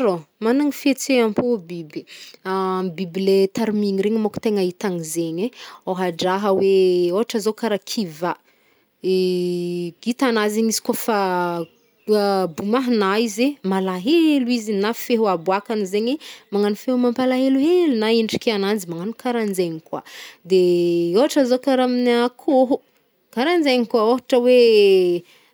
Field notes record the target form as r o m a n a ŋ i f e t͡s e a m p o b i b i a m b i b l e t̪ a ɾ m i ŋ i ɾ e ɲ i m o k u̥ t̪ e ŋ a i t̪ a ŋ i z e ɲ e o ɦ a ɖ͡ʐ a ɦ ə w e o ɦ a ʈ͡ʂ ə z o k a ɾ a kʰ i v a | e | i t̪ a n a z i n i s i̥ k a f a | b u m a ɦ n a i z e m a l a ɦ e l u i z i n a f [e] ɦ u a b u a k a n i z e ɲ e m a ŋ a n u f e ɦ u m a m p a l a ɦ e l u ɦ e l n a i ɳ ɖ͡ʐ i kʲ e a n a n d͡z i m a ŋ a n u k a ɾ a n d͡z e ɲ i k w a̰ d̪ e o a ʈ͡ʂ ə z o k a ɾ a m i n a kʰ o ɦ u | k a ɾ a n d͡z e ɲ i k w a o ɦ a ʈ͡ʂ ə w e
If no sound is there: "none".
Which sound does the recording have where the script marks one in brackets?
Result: e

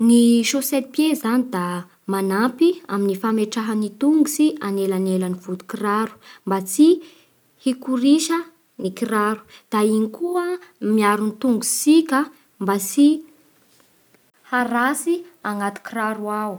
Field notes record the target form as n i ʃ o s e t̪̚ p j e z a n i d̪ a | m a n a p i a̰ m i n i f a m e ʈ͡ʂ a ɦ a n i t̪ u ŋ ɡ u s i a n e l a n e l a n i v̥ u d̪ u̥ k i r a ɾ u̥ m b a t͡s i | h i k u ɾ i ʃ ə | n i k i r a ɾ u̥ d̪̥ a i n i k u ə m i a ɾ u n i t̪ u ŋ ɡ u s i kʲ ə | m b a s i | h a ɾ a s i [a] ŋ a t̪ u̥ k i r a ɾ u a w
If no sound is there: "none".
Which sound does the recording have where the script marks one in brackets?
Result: a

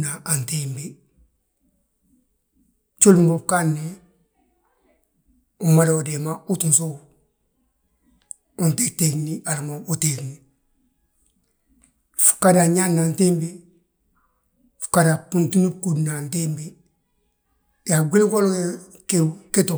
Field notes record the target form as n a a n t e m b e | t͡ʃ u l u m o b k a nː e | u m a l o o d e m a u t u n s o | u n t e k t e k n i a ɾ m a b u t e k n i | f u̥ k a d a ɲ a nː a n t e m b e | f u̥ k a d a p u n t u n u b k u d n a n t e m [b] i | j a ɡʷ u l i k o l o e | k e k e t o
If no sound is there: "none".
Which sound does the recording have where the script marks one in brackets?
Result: b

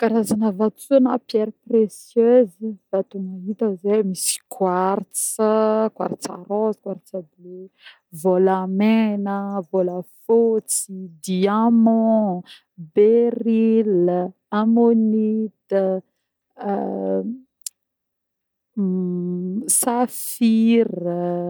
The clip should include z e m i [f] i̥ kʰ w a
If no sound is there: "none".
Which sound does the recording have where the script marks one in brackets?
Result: s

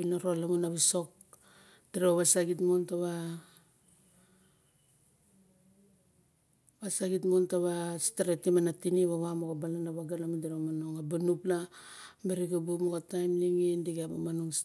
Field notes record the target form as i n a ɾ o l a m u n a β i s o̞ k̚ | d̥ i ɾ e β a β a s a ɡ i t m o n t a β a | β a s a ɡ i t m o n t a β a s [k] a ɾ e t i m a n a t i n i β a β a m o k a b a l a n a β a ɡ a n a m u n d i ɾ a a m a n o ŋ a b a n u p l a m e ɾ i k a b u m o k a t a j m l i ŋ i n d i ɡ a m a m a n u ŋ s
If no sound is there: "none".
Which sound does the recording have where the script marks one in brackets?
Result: t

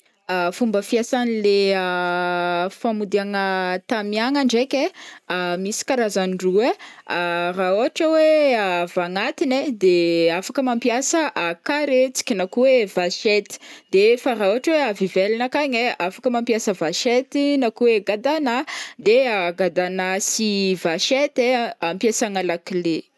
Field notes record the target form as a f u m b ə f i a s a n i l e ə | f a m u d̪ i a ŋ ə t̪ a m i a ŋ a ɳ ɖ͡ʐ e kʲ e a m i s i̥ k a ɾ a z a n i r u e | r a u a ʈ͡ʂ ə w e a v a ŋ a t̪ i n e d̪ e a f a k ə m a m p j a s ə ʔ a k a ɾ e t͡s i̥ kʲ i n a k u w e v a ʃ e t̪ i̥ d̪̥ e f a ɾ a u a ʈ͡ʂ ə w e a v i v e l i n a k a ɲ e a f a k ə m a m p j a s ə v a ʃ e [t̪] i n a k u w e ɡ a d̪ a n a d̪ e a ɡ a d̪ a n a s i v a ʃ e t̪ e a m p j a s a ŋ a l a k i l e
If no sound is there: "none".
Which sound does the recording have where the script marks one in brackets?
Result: t̪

